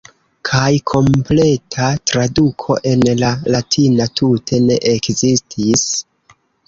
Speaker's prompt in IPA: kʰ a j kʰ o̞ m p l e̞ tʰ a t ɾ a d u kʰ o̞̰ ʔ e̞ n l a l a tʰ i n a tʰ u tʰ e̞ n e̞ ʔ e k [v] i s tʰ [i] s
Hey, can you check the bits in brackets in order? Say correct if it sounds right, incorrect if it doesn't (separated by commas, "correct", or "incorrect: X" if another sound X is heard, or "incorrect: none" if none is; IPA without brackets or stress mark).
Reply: incorrect: z, correct